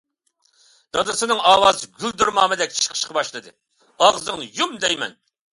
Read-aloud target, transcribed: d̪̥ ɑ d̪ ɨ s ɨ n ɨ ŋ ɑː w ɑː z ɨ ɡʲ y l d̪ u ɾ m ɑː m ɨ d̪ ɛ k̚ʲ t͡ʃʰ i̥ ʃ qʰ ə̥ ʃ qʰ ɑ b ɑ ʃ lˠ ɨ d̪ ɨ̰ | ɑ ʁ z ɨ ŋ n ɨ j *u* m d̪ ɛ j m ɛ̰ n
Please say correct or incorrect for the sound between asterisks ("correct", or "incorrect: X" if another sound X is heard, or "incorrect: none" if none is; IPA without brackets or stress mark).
correct